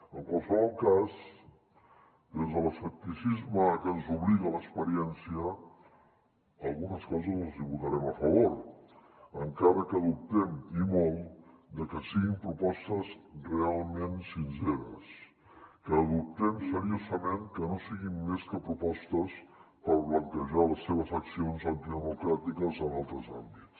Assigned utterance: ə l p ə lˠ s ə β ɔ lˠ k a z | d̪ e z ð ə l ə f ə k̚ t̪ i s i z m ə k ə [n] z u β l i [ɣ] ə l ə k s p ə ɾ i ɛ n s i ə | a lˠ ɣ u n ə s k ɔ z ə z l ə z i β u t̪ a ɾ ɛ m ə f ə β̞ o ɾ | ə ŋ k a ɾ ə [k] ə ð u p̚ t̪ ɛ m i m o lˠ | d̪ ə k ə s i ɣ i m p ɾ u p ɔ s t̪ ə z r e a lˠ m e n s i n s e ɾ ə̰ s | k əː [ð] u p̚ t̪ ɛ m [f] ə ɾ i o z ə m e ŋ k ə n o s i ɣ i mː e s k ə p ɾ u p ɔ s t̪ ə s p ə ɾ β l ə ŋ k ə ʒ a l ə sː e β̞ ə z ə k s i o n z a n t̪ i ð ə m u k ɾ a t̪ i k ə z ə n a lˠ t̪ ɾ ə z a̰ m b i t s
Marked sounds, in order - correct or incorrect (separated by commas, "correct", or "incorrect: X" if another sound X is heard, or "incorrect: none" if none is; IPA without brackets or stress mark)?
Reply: correct, correct, correct, correct, incorrect: s